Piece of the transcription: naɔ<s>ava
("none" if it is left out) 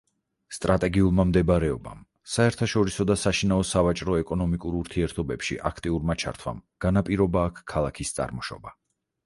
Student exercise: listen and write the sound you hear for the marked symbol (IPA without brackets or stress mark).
s